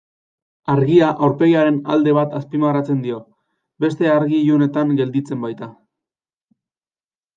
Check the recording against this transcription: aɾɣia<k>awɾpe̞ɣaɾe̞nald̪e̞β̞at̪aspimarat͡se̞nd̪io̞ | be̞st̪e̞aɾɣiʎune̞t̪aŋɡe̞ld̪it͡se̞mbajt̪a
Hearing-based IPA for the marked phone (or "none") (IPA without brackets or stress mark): ʔ